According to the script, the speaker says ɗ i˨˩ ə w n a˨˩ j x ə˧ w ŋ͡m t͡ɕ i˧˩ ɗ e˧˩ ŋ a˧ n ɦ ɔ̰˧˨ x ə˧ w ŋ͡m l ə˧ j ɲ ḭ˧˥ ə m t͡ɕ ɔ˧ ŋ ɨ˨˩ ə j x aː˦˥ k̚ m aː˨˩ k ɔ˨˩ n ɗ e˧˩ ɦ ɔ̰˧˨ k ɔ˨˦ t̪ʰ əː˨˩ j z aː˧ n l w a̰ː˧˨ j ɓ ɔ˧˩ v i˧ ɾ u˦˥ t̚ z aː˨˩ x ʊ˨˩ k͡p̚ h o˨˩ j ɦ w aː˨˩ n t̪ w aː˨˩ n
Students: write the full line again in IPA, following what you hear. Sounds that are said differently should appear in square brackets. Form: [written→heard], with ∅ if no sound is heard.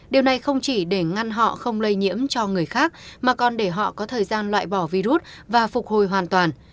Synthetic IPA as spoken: ɗ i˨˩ ə w n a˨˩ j x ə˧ w ŋ͡m t͡ɕ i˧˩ ɗ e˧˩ ŋ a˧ n ɦ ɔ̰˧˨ x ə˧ w ŋ͡m l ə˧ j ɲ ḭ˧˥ ə m t͡ɕ ɔ˧ ŋ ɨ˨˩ ə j x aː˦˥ k̚ m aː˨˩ k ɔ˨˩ n ɗ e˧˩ ɦ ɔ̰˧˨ k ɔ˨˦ t̪ʰ əː˨˩ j z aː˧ n l w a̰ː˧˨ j ɓ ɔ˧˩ v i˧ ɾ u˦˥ t̚ [z→v] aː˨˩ [x→f] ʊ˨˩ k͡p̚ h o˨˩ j ɦ w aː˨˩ n t̪ w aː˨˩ n